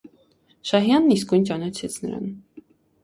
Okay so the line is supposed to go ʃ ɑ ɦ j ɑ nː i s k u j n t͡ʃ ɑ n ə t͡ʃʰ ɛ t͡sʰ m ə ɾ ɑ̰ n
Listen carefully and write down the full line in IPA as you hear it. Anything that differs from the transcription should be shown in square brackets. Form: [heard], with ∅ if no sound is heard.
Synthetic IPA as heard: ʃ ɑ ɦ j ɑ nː i s k u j n t͡ʃ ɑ n [ɑ] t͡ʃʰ ɛ t͡sʰ [n] ə ɾ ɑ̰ n